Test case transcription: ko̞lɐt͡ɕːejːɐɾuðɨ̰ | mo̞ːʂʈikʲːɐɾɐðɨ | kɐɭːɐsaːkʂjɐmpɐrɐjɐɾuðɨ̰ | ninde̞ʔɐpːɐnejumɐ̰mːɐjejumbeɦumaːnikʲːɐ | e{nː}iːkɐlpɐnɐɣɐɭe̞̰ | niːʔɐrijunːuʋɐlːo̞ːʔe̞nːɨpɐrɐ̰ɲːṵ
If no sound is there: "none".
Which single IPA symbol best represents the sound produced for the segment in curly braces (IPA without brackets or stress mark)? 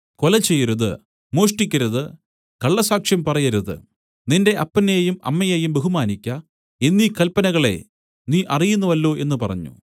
nː